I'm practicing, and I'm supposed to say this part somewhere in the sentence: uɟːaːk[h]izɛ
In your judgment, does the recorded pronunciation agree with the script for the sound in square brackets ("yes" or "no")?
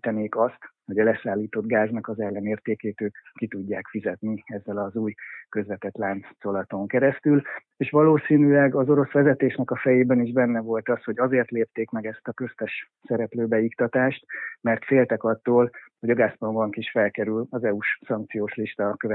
no